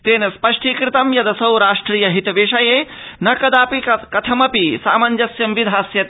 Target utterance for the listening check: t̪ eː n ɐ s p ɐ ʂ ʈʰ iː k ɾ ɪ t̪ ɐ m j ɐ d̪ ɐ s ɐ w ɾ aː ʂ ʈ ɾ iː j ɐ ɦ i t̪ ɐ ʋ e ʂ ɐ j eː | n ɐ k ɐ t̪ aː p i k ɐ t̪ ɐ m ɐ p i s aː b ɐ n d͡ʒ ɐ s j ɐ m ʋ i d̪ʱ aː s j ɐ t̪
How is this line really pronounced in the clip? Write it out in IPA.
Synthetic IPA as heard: t̪ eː n ɐ s p ɐ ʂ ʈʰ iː k ɾ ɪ t̪ ɐ m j ɐ d̪ ɐ s ɐ w ɾ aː ʂ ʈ ɾ iː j ɐ ɦ i t̪ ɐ ʋ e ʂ ɐ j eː | n ɐ k ɐ d̪ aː p i k ɐ t̪ʰ ɐ m ɐ p i s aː m ɐ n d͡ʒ ɐ s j ɐ m ʋ i d̪ʱ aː s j ɐ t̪